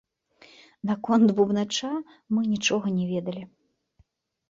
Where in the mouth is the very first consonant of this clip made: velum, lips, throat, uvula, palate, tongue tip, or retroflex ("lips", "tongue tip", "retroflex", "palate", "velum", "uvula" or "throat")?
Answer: tongue tip